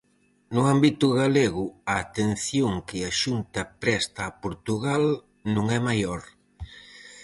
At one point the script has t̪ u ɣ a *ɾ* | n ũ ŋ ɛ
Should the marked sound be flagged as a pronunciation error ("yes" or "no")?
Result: yes